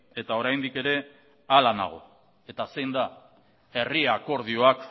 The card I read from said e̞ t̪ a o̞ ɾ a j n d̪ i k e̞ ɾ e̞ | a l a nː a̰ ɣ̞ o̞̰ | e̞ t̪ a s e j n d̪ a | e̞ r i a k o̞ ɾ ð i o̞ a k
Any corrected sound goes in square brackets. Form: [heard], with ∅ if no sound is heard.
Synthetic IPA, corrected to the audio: e̞ t̪ a o̞ ɾ a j n d̪ i k e̞ ɾ e̞ | a l a [n] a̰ ɣ̞ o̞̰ | e̞ t̪ a s e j n d̪ a | e̞ r i a k o̞ ɾ ð i o̞ a k

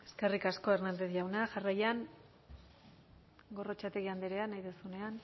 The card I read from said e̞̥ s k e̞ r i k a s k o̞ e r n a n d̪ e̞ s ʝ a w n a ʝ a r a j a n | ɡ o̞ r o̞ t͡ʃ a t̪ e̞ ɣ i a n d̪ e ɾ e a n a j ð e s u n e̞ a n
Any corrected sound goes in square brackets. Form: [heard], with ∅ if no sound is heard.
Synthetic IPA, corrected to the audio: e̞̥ s k e̞ r i k a s k o̞ e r n a n d̪ e̞ [θ] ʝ a w n a ʝ a r a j a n | ɡ o̞ r o̞ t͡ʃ a t̪ e̞ ɣ i a n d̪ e ɾ e a n a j ð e s u n e̞ a n

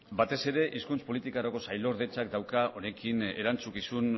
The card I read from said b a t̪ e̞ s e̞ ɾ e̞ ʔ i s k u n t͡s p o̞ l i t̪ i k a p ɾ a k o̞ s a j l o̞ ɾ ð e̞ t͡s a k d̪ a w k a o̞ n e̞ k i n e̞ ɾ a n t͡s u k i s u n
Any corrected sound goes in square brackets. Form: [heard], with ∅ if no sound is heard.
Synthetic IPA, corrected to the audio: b a t̪ e̞ s e̞ ɾ e̞ ʔ i s k u n t͡s p o̞ l i t̪ i k a [∅] ɾ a k o̞ s a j l o̞ ɾ ð e̞ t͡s a k d̪ a w k a o̞ n e̞ k i n e̞ ɾ a n t͡s u k i s u n

